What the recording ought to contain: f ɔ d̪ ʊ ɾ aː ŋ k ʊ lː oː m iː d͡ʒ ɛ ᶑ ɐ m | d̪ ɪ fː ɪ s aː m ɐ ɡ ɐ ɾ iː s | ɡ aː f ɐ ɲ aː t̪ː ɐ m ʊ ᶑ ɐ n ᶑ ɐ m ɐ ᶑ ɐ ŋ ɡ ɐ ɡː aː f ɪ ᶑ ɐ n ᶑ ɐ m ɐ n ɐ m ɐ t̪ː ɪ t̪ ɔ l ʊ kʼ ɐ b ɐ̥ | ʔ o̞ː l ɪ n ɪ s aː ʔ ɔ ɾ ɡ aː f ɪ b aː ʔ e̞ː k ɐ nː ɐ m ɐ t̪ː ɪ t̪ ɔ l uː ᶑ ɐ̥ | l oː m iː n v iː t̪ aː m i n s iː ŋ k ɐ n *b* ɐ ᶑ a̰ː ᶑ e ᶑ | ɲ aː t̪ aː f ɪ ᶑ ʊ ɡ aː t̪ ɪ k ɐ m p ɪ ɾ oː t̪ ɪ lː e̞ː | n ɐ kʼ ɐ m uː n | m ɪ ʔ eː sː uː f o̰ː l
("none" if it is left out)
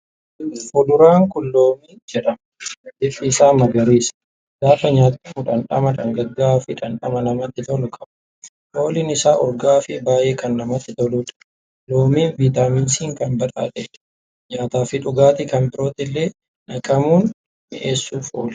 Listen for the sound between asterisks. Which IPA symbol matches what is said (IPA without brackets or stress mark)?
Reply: b